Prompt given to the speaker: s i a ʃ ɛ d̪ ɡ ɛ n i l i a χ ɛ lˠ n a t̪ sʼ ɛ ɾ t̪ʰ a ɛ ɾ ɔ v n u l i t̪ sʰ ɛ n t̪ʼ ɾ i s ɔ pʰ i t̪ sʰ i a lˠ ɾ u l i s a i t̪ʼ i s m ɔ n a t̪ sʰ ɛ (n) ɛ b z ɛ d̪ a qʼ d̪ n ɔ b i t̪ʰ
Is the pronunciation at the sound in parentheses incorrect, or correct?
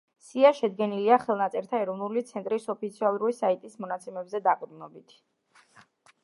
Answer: incorrect